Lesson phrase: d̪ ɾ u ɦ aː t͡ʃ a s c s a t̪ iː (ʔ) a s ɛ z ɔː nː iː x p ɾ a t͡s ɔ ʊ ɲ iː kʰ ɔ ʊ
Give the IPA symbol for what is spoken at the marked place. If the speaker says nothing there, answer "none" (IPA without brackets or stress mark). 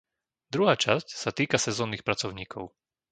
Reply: k